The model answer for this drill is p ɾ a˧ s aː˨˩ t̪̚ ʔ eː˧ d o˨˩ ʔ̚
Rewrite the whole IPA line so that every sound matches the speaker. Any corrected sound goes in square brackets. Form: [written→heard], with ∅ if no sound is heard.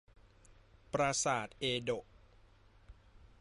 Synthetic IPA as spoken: p ɾ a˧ s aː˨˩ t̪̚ ʔ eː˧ d o˨˩ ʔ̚